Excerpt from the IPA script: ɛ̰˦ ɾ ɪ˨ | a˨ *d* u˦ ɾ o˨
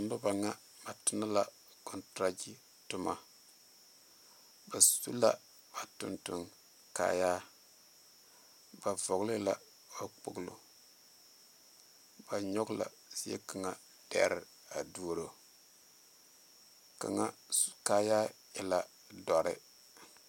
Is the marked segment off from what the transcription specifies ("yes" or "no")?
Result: no